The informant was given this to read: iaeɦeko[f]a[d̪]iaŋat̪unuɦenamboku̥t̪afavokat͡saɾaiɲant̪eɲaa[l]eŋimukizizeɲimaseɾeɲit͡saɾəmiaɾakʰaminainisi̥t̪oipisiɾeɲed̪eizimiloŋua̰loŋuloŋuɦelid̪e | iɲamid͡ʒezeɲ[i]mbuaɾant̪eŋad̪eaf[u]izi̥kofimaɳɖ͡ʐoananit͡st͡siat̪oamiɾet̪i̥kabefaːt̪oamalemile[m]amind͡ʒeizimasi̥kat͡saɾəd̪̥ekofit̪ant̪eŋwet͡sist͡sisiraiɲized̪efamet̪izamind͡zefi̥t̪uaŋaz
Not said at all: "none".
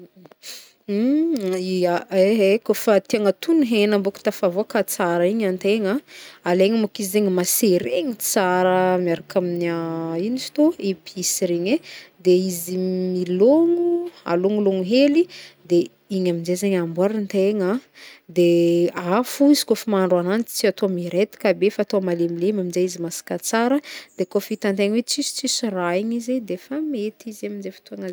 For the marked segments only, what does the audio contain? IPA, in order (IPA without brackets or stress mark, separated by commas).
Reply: f, t̪, l, a, u, m